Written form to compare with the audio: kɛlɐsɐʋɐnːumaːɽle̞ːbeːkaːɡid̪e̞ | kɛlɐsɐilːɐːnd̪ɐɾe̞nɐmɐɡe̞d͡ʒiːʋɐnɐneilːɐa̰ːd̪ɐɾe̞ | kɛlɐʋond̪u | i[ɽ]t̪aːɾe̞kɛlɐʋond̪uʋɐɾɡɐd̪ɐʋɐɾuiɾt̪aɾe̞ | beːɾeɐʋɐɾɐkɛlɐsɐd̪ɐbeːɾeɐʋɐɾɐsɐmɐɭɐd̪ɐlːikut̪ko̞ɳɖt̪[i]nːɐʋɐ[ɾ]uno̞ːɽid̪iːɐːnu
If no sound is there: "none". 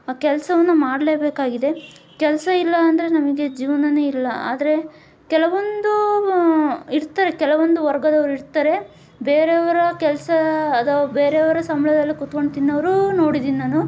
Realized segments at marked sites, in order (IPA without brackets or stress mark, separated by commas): ɾ, i, ɾ